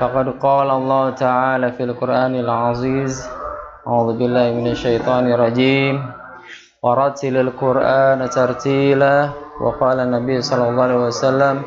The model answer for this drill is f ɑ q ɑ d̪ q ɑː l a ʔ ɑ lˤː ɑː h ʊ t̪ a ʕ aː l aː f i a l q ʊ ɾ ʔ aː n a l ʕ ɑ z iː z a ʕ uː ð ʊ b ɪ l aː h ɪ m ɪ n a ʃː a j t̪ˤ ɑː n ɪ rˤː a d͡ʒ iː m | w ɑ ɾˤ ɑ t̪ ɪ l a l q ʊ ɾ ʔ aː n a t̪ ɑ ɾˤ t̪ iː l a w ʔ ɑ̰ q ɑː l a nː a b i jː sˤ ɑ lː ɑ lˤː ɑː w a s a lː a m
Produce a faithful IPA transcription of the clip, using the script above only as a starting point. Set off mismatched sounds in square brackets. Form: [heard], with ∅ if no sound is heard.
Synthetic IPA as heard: f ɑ q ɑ d̪ q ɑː l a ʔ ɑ lˤː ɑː h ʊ t̪ a ʕ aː l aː f i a l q ʊ ɾ ʔ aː n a l ʕ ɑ z iː z a ʕ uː ð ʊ b ɪ [lː] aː h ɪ m ɪ n a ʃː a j t̪ˤ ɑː n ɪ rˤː [ɑ] d͡ʒ iː m | w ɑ ɾˤ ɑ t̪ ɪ l a l q ʊ ɾ ʔ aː n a t̪ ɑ ɾˤ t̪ iː l a w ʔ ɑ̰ q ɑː l a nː a b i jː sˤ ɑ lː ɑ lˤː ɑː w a s a lː a m